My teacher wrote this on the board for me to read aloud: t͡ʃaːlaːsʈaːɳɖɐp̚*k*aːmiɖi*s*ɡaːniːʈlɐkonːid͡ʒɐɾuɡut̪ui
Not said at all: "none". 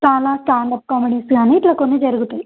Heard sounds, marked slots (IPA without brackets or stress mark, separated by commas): k, s